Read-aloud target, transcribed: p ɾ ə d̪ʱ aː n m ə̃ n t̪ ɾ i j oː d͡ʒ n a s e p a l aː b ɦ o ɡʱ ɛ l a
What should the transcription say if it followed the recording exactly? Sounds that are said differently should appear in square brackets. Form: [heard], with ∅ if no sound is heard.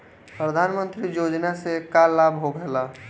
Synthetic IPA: p ɾ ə d̪ʱ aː n m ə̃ n t̪ ɾ i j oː d͡ʒ n a s e [k] a l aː b ɦ o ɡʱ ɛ l a